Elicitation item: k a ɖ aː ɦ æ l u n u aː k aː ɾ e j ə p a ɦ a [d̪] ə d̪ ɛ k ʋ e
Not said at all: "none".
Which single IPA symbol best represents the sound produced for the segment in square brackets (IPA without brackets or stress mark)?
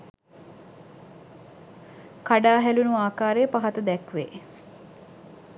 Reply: t̪